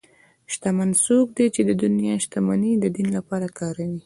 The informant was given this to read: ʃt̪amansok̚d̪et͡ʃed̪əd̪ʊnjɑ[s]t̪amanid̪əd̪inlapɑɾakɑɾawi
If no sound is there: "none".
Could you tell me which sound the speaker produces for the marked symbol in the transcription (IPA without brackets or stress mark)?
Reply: ʃ